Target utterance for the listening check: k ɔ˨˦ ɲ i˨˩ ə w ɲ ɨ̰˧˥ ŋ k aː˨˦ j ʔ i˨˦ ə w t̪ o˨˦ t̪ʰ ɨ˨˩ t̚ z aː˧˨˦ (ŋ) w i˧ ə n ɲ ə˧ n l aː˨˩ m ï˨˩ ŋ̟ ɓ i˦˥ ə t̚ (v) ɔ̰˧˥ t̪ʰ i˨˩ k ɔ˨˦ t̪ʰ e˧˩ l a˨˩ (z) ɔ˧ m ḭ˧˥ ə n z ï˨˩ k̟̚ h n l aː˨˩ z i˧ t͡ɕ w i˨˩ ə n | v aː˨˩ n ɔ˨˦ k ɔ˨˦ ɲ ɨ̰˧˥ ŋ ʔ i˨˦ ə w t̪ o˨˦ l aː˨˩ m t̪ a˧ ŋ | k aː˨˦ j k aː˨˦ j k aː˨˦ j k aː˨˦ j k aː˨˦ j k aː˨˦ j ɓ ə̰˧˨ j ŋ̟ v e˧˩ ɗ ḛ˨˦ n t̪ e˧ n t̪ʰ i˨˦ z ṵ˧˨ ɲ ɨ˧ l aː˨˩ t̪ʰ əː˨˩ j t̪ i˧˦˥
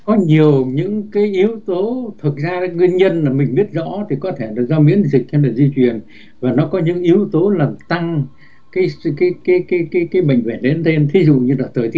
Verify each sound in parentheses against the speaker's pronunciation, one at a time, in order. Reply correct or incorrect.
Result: correct, incorrect: z, correct

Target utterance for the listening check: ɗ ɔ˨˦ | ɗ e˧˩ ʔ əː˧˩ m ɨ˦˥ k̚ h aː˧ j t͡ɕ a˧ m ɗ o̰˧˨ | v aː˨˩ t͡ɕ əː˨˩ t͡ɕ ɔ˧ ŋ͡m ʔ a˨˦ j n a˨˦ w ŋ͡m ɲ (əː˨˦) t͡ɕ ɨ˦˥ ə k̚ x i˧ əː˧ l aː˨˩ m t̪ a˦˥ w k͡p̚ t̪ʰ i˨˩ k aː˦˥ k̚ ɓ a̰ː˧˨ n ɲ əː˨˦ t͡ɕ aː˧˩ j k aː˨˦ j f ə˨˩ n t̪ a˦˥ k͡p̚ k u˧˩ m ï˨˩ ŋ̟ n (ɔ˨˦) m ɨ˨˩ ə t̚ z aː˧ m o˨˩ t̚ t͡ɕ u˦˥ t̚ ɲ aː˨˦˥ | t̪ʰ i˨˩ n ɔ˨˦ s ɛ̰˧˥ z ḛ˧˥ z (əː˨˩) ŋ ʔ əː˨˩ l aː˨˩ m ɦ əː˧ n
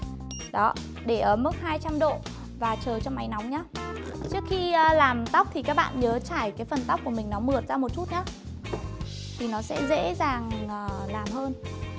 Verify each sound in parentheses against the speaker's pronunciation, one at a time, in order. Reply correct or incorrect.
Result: incorrect: aː˨˦, correct, incorrect: aː˨˩

